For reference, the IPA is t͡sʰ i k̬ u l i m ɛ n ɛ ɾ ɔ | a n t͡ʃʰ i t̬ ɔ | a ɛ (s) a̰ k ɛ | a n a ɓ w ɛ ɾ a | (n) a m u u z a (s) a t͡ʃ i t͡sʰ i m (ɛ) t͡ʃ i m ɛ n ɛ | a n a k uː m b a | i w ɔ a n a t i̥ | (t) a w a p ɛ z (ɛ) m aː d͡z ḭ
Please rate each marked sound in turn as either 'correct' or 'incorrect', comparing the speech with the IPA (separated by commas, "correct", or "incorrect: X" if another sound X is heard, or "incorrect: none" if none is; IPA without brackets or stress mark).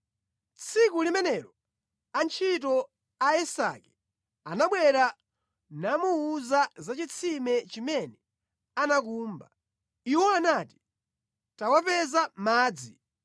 correct, correct, incorrect: z, correct, correct, incorrect: a